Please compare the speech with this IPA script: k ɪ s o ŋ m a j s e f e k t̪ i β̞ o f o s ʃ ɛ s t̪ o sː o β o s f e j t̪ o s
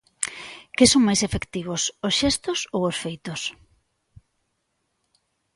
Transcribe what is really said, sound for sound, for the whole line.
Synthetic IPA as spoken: k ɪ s o ŋ m a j s e f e k t̪ i β̞ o s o s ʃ ɛ s t̪ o s o w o s f e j t̪ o s